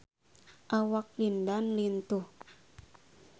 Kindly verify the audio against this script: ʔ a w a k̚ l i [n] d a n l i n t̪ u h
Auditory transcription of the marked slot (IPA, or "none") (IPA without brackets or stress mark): n